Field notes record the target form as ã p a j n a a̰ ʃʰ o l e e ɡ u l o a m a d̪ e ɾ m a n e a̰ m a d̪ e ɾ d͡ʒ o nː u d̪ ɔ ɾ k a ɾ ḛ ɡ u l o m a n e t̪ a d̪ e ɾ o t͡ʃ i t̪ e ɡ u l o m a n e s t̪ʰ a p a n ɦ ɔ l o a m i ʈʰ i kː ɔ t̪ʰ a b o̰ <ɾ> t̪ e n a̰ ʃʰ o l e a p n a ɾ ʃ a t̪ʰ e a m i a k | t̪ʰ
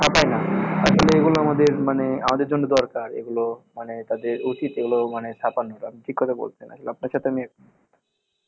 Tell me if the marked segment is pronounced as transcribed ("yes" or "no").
no